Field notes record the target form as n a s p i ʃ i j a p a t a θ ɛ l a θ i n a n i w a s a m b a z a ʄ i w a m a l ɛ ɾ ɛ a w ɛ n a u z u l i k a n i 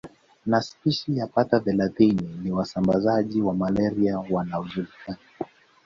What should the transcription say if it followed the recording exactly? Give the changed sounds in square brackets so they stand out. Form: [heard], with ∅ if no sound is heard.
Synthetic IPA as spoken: n a s p i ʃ i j a p a t a θ ɛ l a θ i n [i] n i w a s a m b a z a ʄ i w a m a l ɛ ɾ [i] a w [a] n a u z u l i k a n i